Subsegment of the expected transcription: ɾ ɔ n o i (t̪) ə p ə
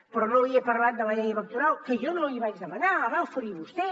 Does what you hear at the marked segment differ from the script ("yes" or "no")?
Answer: yes